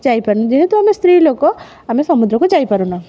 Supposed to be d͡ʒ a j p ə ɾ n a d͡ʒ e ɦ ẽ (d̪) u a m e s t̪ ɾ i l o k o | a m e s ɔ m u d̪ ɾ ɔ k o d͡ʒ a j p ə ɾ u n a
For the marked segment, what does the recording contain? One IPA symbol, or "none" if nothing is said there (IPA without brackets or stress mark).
t̪